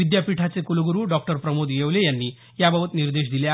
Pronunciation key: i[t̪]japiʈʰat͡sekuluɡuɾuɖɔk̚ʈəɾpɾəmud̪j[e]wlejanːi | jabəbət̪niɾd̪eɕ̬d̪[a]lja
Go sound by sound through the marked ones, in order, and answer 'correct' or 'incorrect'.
incorrect, correct, incorrect

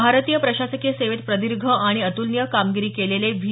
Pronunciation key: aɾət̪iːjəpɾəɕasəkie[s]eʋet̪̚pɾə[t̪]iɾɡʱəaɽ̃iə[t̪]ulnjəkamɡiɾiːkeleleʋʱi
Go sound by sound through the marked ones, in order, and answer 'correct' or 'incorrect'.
correct, incorrect, correct

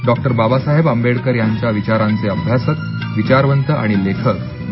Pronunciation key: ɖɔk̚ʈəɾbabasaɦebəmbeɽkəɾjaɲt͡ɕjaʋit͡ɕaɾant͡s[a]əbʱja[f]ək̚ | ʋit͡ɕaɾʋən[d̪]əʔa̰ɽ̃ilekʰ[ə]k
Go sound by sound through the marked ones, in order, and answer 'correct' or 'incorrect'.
incorrect, incorrect, incorrect, correct

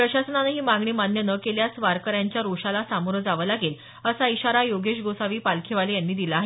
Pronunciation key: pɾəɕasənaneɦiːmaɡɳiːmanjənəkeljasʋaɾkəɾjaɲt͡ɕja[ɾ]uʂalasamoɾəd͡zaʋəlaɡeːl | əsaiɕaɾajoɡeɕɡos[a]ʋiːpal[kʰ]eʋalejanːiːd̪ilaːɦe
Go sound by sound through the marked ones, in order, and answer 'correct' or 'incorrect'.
correct, correct, correct

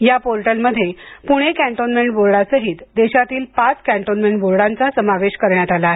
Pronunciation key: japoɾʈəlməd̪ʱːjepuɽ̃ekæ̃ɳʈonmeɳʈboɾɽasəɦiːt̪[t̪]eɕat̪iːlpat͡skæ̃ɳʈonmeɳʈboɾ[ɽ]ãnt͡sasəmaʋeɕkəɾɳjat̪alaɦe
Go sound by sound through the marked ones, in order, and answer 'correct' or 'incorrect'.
incorrect, correct

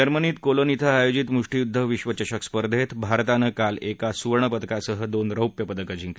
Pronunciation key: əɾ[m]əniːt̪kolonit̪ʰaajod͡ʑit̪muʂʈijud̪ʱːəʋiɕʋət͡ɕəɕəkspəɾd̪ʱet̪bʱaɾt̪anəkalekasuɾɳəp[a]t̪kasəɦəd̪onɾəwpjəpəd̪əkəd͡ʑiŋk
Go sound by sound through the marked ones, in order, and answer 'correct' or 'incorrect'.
correct, incorrect

